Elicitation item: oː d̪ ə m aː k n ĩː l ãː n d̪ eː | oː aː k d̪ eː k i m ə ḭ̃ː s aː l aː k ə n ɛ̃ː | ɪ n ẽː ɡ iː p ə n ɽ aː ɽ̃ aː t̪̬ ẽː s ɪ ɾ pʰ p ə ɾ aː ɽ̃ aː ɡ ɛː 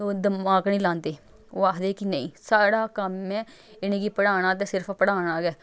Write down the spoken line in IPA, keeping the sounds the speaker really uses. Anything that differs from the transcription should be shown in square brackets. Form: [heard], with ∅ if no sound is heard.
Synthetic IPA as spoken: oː d̪ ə m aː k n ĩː l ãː n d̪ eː | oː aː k d̪ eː k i [n] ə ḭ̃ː s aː [ɽ] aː k ə [m] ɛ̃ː | ɪ n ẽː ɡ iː p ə [∅] ɽ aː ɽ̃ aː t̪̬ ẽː s ɪ ɾ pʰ p ə [ɽ] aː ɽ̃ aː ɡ ɛː